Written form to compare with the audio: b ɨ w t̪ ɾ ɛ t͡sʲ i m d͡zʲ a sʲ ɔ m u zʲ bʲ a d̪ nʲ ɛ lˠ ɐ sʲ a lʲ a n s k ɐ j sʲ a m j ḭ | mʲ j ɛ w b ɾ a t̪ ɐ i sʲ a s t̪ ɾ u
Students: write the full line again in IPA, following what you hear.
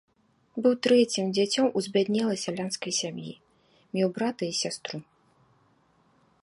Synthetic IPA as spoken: b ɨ w t̪ ɾ ɛ t͡sʲ i m d͡zʲ a t͡sʲ ɔ m u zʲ bʲ a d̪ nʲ ɛ lˠ ɐ sʲ a lʲ a n s k ɐ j sʲ a m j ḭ | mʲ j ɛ w b ɾ a t̪ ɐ i sʲ a s t̪ ɾ u